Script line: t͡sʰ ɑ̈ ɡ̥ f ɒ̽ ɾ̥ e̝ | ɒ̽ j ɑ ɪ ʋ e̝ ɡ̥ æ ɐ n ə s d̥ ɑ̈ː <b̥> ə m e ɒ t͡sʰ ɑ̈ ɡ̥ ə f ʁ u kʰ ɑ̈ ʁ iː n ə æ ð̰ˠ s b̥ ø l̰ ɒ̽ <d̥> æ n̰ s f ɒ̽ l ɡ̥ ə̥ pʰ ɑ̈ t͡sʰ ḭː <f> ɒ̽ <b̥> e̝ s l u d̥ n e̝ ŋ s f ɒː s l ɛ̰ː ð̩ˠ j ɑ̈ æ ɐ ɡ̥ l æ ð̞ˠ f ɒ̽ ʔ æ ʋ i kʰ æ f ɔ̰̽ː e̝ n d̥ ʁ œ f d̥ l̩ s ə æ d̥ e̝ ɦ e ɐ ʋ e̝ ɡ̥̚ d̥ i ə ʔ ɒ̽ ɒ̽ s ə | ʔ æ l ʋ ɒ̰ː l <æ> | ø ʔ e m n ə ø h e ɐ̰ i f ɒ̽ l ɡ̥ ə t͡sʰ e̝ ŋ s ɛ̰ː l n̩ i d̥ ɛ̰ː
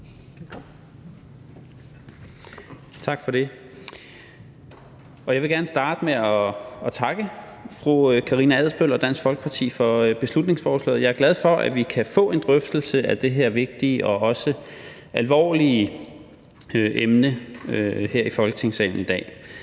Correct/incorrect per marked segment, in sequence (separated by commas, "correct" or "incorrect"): incorrect, correct, correct, correct, incorrect